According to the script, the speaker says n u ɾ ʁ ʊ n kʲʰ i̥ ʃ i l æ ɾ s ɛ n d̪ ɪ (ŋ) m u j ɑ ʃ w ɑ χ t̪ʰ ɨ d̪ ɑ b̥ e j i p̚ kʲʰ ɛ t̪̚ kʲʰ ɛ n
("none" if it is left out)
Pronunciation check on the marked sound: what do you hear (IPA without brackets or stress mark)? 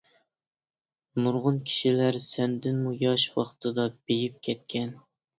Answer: n